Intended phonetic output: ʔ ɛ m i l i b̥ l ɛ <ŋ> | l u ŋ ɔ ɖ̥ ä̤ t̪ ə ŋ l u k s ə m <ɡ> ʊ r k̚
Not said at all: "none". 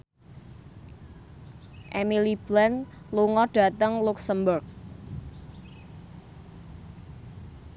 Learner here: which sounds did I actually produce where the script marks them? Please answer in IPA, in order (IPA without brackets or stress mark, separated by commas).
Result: n, b